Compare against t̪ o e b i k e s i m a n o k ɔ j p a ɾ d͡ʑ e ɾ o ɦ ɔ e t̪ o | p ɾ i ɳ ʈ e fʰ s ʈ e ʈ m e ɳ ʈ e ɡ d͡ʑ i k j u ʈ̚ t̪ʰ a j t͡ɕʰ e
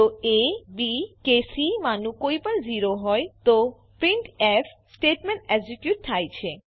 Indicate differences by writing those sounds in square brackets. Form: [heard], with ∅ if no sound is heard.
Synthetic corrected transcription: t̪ o e b i k e s i m a n [u] k [o] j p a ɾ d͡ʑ [i] ɾ o ɦ ɔ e t̪ o | p ɾ i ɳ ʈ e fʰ s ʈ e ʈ m e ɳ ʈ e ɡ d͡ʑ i k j u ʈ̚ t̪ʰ a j t͡ɕʰ e